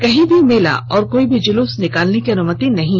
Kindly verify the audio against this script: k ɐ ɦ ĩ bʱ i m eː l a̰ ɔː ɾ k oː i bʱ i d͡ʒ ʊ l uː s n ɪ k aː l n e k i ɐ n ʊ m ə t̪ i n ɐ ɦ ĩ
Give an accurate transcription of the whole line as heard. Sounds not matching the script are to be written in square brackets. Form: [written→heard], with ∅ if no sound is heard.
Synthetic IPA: k ɐ ɦ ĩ bʱ i m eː l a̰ ɔː ɾ k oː i bʱ i d͡ʒ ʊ l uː s n ɪ k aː l n e k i ɐ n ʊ m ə t̪ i n ɐ ɦ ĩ